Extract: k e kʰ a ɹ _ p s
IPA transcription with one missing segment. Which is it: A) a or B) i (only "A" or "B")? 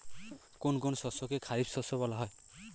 B